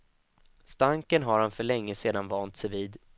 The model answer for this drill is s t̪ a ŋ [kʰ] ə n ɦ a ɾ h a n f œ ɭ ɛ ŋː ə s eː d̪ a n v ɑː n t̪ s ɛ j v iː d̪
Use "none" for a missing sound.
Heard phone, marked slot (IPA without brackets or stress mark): k